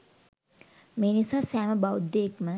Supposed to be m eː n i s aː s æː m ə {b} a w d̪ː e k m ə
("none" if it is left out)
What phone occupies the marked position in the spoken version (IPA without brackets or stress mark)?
b